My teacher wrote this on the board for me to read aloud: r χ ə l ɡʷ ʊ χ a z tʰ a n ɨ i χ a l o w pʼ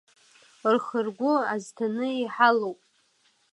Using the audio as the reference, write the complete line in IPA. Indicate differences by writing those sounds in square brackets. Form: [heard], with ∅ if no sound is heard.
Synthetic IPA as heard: r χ ə [r] ɡʷ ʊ [∅] a z tʰ a n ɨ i [ħ] a l o w pʼ

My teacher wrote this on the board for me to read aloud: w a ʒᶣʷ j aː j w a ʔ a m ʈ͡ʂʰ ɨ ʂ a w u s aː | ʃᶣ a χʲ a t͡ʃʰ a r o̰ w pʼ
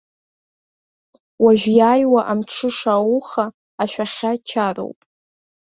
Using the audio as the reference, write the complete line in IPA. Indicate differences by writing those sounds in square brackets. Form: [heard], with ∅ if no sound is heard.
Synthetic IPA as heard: w a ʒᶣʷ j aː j w a ʔ a m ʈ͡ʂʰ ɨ ʂ a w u [χ] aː | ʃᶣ a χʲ a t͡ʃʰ a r o̰ w pʼ

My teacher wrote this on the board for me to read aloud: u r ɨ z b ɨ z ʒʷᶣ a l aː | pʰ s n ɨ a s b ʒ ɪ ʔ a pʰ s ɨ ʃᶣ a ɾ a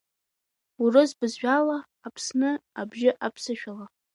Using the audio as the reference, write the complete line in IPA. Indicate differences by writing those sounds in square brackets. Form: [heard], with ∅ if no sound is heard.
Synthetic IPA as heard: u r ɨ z b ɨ z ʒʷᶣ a l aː | pʰ s n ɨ a [∅] b ʒ ɪ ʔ a pʰ s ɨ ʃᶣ a [l] a

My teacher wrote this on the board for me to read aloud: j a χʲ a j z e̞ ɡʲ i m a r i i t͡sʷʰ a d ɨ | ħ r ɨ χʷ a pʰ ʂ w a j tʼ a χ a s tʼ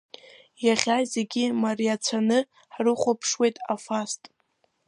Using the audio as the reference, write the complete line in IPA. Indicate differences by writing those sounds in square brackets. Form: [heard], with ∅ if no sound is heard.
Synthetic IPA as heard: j a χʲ a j z e̞ ɡʲ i m a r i [a] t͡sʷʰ a [n] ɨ | ħ r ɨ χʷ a pʰ ʂ w [e] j tʼ a [f] a s tʼ

